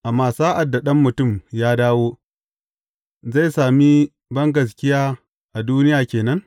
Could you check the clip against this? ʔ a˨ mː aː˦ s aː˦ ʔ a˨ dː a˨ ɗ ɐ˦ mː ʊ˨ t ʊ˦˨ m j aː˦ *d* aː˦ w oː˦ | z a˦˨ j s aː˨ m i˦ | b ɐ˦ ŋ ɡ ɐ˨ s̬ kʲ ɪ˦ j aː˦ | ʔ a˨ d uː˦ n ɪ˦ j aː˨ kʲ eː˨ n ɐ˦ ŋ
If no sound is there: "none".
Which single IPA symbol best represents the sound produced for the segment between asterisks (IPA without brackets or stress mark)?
d